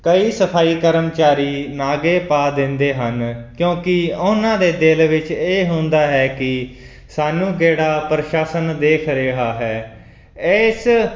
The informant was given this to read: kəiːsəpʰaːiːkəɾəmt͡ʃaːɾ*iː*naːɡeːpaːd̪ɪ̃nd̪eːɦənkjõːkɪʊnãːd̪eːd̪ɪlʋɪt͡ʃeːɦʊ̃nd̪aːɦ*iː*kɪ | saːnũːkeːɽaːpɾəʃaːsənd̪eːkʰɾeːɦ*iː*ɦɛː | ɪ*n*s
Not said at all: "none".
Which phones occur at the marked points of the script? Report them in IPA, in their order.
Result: iː, ɛː, aː, none

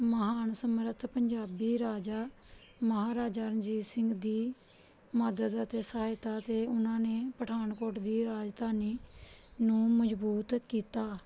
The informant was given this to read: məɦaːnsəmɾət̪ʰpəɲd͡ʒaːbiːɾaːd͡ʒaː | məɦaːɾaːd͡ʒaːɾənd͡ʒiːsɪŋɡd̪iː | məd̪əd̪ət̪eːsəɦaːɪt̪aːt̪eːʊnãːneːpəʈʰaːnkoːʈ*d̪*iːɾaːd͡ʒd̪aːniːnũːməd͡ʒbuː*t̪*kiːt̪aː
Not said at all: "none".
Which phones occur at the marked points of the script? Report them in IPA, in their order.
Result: d̪, t̪

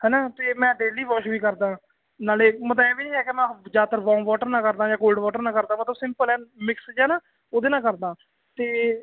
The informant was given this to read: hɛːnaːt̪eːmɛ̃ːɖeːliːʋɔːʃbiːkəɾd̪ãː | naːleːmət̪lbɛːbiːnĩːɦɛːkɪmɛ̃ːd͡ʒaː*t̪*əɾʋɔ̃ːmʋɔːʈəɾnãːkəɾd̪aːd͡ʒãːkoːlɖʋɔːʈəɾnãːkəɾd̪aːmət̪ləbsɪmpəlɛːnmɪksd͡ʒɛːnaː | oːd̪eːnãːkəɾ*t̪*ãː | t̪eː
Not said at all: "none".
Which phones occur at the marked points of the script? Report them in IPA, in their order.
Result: t̪, d̪

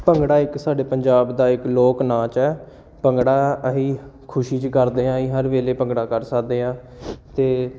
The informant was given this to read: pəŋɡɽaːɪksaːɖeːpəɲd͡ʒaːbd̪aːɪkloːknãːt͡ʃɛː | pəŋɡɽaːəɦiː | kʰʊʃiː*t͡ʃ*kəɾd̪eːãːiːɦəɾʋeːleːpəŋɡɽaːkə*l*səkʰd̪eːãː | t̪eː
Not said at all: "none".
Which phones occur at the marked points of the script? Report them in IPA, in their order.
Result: t͡ʃ, ɾ

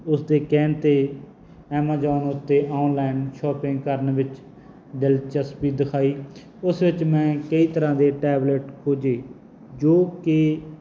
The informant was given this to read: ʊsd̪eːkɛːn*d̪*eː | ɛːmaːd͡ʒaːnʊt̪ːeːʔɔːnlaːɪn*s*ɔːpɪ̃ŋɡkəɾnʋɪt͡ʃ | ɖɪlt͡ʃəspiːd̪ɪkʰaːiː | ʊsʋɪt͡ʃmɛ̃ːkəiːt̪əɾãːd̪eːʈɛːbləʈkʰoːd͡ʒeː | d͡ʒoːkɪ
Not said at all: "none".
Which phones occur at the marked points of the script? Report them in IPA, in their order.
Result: t̪, ʃ

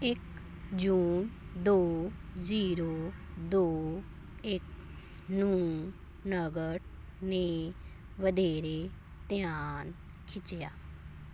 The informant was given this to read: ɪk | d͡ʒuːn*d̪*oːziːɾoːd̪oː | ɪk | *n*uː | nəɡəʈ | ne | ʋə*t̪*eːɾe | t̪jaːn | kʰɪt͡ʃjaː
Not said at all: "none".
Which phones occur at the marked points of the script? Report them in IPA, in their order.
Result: d̪, n, d̪

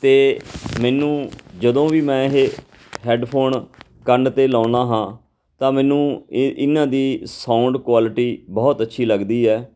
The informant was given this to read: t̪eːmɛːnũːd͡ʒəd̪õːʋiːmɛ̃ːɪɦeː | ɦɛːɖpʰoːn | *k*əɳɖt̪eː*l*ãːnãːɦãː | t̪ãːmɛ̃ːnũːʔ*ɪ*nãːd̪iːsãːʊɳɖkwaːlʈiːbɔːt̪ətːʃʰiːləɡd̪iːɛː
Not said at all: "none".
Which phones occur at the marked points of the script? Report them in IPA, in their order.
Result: k, l, ɪ

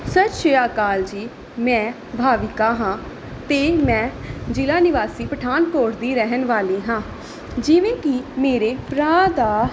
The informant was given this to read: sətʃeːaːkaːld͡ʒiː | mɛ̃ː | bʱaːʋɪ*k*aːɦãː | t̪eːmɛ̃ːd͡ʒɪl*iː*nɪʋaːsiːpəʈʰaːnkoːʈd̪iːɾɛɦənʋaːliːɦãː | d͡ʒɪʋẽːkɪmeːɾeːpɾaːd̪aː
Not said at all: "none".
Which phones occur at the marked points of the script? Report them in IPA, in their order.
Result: k, aː

